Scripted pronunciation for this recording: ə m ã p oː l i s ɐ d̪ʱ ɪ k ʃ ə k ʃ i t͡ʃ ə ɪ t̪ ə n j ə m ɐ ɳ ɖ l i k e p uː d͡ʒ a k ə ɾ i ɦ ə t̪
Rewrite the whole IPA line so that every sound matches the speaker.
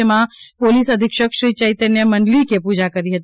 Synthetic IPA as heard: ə m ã p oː l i s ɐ d̪ʱ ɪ k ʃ ə k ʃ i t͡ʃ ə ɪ t̪ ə n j ə m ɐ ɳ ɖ l i k e p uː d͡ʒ a k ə ɾ i ɦ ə t̪

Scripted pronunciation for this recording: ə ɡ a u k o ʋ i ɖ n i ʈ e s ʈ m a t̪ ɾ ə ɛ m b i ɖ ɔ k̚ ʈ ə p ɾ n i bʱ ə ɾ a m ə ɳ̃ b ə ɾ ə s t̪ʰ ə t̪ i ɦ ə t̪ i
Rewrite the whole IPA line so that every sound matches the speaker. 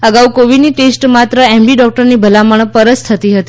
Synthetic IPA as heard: ə ɡ a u k o ʋ i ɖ n i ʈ e s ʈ m a t̪ ɾ ə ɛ m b i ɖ ɔ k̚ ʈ ə ɾ n i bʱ ə l a m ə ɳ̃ p ə ɾ ə s t̪ʰ ə t̪ i ɦ ə t̪ i

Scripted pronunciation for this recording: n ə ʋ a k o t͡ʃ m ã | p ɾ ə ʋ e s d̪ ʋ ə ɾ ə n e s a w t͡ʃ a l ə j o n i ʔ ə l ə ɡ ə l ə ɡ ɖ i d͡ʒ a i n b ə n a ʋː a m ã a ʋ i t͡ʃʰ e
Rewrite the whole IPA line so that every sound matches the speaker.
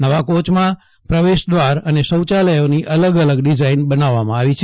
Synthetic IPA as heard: n ə ʋ a k o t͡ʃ m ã | p ɾ ə ʋ e ʃ d̪ ʋ a ɾ ə n e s ə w t͡ʃ a l ə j o n i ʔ ə l ə ɡ ə l ə ɡ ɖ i d͡ʒ a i n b ə n a ʋː a m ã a ʋ i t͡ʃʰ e

